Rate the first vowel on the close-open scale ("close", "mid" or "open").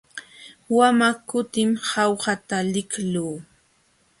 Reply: open